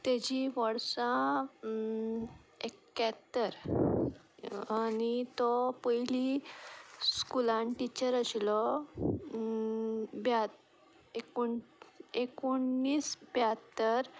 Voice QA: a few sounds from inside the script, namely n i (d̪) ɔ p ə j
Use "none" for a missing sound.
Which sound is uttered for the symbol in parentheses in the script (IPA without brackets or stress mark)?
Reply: t̪